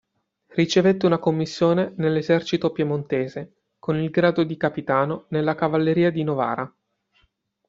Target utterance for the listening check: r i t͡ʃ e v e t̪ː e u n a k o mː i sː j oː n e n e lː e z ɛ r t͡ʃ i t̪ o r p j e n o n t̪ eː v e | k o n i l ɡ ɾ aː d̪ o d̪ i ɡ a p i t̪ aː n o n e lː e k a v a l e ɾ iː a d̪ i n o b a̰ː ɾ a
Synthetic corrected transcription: r i t͡ʃ e v e t̪ː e u n a k o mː i sː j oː n e n e lː e z ɛ r t͡ʃ i t̪ o p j e m o n t̪ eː z e | k o n i l ɡ ɾ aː d̪ o d̪ i k a p i t̪ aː n o n e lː a k a v a lː e ɾ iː a d̪ i n o v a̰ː ɾ a